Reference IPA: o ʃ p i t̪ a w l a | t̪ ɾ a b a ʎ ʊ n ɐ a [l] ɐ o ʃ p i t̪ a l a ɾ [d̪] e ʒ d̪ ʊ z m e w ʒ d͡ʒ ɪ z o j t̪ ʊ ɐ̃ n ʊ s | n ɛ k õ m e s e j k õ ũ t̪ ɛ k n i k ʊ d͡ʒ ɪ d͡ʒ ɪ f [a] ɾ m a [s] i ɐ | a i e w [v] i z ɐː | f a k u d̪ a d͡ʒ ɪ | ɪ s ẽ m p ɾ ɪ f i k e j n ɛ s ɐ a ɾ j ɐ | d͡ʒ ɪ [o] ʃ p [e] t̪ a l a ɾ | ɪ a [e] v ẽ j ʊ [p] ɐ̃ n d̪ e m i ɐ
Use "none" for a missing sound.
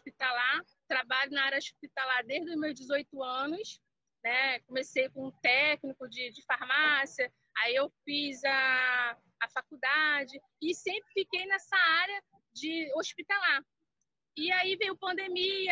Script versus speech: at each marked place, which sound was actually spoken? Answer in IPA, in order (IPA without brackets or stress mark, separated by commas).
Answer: ɾ, d̪, a, s, f, o, i, i, p